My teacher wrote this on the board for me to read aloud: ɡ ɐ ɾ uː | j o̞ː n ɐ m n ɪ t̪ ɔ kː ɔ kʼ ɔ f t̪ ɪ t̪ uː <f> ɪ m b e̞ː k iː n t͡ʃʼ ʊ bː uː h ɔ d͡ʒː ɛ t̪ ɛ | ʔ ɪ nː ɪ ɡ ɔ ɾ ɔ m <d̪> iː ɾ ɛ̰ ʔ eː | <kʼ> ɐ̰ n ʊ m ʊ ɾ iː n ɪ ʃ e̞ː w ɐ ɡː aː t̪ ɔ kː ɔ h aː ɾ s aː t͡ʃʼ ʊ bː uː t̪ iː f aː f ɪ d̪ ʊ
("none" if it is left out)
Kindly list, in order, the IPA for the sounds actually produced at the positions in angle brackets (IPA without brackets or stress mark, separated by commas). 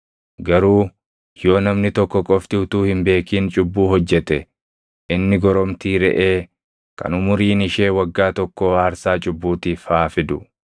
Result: h, t̪, k